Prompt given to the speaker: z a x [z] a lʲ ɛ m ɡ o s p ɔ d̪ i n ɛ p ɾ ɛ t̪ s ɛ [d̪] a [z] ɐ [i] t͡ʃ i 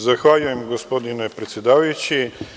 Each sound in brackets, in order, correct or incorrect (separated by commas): incorrect, correct, incorrect, incorrect